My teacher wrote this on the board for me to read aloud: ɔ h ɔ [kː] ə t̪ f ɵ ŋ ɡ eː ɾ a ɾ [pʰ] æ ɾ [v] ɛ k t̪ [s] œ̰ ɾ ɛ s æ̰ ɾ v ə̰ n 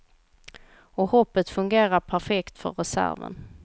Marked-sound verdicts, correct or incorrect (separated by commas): incorrect, correct, incorrect, incorrect